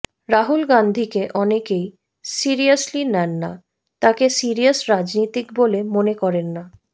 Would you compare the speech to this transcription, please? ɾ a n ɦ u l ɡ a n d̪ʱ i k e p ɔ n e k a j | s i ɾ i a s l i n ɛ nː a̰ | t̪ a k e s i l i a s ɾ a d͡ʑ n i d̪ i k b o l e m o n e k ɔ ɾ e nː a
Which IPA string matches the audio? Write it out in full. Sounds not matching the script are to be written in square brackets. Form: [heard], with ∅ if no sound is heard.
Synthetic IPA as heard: ɾ a [∅] ɦ u l ɡ a n d̪ʱ i k e [ʔ] ɔ n e k [e] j | s i ɾ i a s l i n ɛ nː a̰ | t̪ a k e s i [ɾ] i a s ɾ a d͡ʑ n i [t̪] i k b o l e m o n e k ɔ ɾ e nː a